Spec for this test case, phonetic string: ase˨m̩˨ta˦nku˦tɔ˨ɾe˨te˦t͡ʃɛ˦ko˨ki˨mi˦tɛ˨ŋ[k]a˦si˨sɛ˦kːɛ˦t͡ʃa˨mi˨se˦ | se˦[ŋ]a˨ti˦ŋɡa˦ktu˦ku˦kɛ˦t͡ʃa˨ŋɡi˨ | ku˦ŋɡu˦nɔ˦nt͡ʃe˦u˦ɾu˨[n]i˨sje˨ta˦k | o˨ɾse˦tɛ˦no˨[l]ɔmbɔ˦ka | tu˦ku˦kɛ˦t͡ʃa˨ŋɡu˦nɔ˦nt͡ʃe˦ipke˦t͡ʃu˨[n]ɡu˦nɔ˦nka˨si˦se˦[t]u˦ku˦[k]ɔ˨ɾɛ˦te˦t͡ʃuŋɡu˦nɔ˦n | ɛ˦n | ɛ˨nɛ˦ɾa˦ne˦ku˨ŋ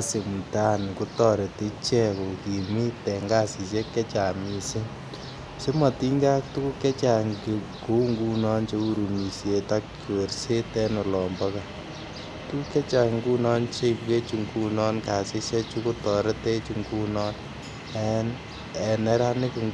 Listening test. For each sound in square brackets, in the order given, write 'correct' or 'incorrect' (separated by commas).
incorrect, incorrect, incorrect, correct, incorrect, incorrect, incorrect